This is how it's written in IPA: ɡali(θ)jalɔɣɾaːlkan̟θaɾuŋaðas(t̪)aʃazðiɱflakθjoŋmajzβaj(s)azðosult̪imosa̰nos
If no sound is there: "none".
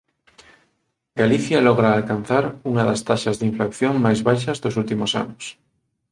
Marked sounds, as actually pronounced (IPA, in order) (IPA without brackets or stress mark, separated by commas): θ, t̪, ʃ